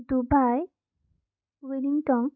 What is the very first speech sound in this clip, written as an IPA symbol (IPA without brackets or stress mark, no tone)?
d̪